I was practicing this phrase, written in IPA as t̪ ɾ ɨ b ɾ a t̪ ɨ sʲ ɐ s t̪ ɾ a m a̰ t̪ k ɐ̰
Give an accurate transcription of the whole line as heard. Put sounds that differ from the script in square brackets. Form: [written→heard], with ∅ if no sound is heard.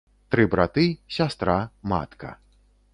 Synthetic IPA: t̪ ɾ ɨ b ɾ a t̪ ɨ sʲ [ɐ→a] s t̪ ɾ a m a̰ t̪ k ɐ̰